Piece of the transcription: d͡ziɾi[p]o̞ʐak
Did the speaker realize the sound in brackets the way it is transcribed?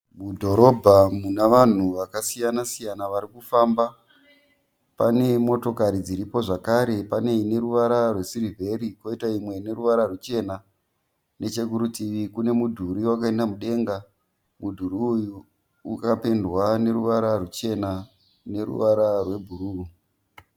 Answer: yes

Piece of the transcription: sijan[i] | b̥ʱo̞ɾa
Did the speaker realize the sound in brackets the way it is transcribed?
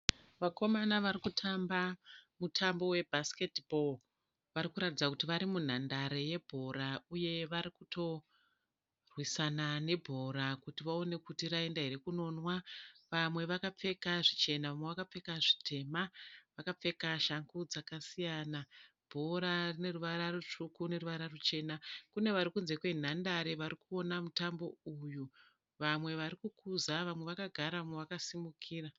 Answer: no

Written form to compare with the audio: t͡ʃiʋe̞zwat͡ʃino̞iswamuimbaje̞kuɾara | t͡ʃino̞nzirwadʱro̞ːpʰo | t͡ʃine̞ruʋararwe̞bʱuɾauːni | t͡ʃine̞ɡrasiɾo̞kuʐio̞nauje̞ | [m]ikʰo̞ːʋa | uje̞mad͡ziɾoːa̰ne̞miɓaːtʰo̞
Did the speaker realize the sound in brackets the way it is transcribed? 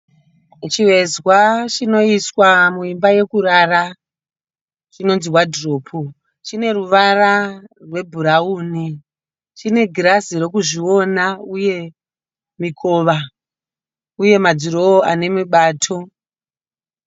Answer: yes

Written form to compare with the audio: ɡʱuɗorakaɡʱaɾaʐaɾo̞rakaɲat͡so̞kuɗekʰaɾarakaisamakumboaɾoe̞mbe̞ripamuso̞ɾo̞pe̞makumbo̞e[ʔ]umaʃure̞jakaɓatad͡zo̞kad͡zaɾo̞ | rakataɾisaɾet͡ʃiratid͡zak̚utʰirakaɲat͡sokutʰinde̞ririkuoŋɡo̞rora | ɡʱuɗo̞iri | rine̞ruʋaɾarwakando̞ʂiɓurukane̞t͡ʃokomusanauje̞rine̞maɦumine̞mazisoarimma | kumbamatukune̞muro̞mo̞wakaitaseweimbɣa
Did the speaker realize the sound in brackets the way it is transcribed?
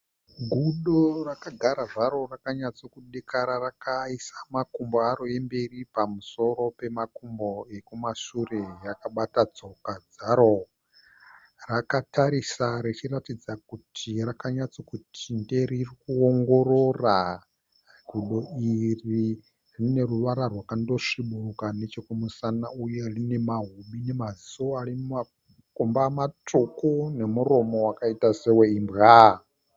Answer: no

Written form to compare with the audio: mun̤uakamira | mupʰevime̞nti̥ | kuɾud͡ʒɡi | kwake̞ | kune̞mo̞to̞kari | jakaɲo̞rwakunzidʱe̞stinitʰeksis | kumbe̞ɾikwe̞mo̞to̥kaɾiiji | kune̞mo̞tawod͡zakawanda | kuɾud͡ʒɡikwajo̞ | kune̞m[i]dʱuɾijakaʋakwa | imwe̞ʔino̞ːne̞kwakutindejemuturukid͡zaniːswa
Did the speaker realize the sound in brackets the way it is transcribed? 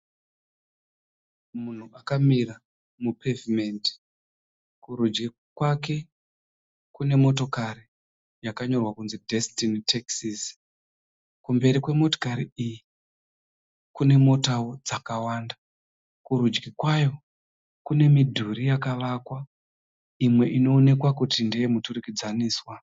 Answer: yes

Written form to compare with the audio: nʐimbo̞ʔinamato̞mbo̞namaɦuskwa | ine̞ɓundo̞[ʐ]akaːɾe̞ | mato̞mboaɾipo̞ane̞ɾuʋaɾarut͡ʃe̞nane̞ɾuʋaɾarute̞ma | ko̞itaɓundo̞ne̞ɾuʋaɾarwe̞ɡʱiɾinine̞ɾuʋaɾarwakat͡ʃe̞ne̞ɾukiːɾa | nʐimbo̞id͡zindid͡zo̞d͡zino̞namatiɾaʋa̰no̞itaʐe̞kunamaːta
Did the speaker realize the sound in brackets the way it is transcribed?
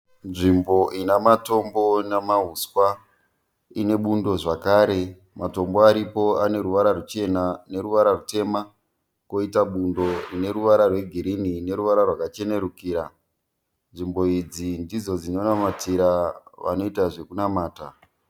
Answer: yes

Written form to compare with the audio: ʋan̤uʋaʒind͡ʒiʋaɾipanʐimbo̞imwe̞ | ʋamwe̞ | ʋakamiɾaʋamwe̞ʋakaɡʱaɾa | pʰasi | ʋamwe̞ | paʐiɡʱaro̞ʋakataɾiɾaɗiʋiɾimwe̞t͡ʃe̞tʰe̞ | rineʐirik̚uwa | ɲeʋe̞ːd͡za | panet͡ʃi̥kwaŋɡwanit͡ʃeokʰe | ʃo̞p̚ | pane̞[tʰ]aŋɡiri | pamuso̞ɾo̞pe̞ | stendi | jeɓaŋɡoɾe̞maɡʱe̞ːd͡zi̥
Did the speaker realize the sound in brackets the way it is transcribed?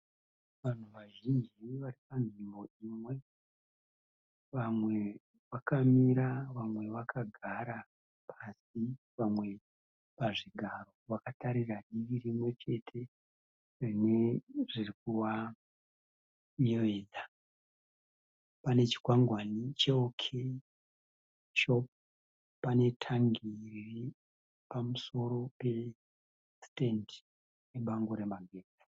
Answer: yes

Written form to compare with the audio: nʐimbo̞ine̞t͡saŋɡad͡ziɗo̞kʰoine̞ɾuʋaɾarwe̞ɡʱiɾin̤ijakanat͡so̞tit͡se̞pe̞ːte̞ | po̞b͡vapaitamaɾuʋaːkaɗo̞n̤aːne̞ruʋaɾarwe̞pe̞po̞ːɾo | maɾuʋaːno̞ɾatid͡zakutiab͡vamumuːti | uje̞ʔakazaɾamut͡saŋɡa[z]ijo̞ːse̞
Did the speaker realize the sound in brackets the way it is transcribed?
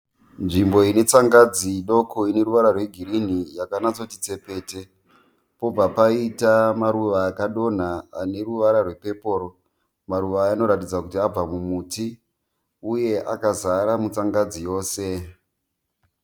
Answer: no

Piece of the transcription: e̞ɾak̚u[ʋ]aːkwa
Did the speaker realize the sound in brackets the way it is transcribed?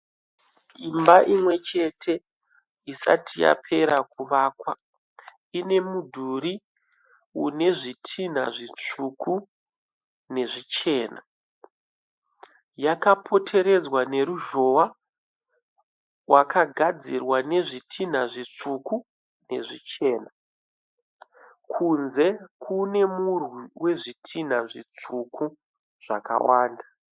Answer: yes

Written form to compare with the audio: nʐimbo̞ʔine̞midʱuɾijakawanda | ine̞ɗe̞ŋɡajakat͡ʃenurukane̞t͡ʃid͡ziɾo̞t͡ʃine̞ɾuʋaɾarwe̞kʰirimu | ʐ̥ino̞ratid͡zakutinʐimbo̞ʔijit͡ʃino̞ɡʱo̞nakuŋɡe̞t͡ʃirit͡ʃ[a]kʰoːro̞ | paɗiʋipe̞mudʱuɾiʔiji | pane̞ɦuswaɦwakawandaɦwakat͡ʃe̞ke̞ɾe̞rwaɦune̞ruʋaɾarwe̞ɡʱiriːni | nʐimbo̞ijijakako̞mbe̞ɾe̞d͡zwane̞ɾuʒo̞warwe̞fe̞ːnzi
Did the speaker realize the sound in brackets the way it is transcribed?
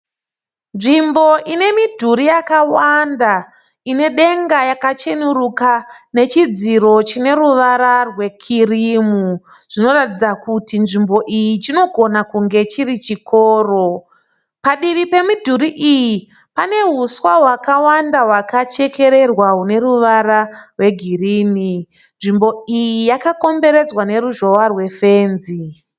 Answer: no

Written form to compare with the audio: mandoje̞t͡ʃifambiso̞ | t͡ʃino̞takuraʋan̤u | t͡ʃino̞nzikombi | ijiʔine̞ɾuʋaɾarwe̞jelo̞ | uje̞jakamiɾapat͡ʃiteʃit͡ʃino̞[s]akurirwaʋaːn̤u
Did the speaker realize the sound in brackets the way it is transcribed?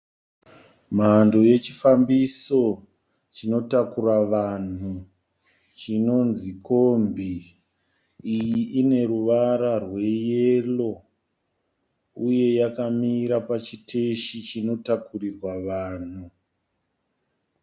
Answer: no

